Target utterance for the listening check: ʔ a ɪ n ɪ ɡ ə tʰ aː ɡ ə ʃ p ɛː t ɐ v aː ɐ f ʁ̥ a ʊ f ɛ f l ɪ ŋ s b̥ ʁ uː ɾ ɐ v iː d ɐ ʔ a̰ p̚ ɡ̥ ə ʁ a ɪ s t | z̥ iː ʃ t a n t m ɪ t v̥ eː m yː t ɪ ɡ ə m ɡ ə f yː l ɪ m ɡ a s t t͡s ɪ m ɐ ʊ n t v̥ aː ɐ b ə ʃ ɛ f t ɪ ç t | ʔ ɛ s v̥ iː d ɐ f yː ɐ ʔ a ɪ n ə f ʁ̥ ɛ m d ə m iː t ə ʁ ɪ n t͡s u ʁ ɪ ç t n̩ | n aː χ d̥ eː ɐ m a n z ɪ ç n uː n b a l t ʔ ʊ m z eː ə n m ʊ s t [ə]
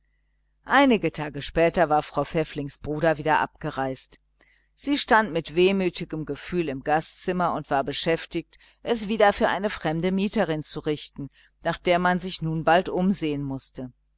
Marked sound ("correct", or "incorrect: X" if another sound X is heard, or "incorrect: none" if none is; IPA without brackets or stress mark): correct